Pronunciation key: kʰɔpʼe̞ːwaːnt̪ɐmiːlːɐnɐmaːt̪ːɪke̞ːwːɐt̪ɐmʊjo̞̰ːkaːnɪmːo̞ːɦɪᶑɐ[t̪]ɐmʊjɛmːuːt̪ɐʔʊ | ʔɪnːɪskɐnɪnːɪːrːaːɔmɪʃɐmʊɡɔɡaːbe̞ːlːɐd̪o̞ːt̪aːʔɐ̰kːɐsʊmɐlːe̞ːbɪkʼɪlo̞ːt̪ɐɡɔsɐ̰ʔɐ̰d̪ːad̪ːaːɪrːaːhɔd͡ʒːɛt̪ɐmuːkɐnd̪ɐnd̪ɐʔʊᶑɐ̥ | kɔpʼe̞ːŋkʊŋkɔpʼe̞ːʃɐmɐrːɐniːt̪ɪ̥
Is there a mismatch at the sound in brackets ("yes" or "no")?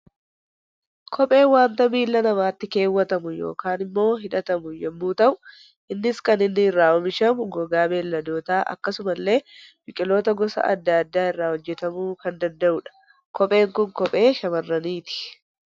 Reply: no